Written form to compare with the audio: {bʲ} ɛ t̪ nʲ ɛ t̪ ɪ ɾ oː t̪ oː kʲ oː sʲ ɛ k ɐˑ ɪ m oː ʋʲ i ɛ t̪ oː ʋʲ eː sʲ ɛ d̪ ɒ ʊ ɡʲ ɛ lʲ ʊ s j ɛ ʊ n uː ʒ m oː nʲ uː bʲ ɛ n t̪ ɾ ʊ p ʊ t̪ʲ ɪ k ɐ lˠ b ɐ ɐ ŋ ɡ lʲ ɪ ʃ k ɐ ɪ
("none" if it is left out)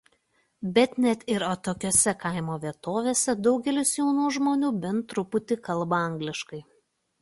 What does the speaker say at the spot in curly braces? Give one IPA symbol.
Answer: bʲ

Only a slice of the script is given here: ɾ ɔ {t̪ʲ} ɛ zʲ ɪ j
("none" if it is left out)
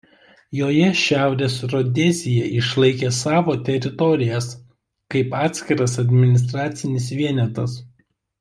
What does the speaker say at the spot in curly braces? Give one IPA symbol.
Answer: d̪ʲ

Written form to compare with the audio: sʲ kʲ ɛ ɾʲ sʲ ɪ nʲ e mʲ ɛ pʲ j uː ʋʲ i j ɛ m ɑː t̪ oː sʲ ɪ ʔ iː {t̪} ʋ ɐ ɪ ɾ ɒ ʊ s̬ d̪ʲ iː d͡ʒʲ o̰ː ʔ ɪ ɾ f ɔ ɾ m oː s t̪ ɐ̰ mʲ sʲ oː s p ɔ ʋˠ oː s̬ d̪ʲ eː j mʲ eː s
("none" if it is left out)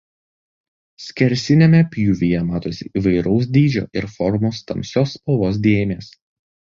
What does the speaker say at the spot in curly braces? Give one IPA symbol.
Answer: none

